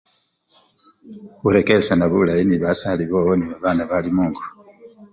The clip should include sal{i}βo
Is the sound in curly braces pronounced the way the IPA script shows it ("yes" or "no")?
yes